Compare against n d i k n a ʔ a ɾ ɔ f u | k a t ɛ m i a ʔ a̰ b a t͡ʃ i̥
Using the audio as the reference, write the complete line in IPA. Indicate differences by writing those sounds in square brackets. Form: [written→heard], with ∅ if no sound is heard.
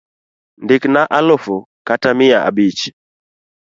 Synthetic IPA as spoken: n d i k n a ʔ a [ɾ→l] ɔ f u | k a t [ɛ→a] m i a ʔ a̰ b [a→i] t͡ʃ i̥

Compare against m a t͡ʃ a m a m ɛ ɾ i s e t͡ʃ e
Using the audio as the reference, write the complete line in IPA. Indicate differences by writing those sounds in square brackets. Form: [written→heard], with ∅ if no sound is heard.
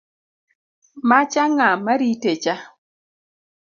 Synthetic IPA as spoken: m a t͡ʃ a [m→ŋ] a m [ɛ→a] ɾ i [s→t] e t͡ʃ [e→a]

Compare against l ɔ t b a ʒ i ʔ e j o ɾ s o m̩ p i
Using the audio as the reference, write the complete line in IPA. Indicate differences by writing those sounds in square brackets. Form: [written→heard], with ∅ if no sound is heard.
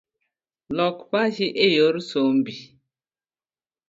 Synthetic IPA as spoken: l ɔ [t→k] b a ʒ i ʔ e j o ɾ s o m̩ [p→b] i

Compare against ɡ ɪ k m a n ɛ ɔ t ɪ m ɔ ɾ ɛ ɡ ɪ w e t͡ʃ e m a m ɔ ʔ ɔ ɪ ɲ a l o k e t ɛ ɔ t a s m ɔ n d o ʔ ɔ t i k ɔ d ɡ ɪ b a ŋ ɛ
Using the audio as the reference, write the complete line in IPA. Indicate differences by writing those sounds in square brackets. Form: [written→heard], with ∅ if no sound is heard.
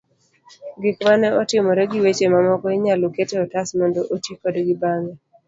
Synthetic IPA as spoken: ɡ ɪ k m a n ɛ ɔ t ɪ m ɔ ɾ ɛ ɡ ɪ w e t͡ʃ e m a m ɔ [ʔ→k] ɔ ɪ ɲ a l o k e t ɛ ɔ t a s m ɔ n d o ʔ [ɔ→o] t i k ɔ d ɡ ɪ b a ŋ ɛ

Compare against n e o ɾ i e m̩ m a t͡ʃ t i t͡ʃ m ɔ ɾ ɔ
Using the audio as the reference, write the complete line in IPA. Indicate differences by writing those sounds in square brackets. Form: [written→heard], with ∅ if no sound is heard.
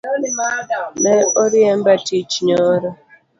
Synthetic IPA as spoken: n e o ɾ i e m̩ [m→b] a [t͡ʃ→∅] t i t͡ʃ [m→ɲ] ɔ ɾ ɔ

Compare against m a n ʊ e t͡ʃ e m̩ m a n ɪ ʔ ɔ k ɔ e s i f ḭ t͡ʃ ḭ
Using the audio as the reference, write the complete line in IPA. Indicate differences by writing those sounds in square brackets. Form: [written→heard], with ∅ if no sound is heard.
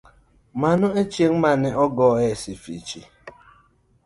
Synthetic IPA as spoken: m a n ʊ e t͡ʃ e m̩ m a n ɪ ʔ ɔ [k→ɡ] ɔ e s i f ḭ t͡ʃ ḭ

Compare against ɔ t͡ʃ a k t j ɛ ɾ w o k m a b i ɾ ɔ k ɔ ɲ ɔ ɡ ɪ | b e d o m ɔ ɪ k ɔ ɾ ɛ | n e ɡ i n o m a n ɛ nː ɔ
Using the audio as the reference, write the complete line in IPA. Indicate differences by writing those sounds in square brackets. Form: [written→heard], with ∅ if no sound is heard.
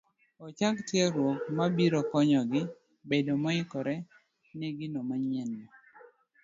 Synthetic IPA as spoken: ɔ t͡ʃ a k t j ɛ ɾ w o k m a b i ɾ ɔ k ɔ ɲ ɔ ɡ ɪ | b e d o m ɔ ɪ k ɔ ɾ ɛ | n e ɡ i n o m a [n→ɲ] ɛ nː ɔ

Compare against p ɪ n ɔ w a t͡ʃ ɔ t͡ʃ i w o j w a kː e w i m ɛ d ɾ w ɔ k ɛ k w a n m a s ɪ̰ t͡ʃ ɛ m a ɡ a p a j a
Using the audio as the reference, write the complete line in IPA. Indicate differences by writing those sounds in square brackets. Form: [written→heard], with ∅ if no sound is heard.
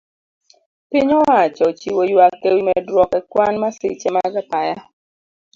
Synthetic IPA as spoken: p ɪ [n→ɲ] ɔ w a t͡ʃ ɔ t͡ʃ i w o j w a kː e w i m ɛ d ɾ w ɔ k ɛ k w a n m a s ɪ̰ t͡ʃ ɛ m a ɡ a p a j a

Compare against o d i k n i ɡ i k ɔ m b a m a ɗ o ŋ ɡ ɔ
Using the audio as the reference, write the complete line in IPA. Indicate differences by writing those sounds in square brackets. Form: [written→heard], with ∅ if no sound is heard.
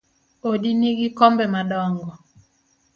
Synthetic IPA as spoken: o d i [k→∅] n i ɡ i k ɔ m b [a→ɛ] m a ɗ [o→ɔ] ŋ ɡ ɔ

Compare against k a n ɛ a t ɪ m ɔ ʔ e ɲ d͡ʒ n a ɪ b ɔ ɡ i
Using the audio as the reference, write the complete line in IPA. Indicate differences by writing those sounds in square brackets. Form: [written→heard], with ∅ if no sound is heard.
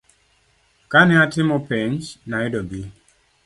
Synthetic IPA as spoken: k a n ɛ a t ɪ m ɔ [ʔ→p] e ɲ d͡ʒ n a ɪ [b→d] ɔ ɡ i

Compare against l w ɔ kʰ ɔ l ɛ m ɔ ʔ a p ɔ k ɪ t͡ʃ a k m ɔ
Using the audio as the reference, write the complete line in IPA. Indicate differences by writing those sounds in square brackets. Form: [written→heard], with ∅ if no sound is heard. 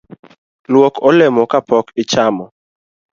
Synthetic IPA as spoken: l w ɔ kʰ ɔ l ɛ m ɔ [ʔ→k] a p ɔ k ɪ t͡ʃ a [k→∅] m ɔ

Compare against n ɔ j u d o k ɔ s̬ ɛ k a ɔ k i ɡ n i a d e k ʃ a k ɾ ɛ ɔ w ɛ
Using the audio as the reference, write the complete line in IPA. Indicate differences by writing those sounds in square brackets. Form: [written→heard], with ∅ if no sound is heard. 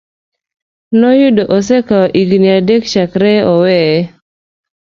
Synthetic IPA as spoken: n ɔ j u d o [k→ʔ] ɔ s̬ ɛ k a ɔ [k→ʔ] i ɡ n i a d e k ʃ a k ɾ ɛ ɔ w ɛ

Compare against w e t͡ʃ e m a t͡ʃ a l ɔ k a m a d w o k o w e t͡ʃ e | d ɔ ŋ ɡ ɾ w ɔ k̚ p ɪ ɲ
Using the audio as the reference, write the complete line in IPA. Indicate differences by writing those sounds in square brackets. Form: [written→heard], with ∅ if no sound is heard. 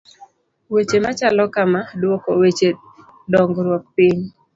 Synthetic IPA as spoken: w e t͡ʃ e m a t͡ʃ a l ɔ k a m a d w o k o w e t͡ʃ e | d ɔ ŋ ɡ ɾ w ɔ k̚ p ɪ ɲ

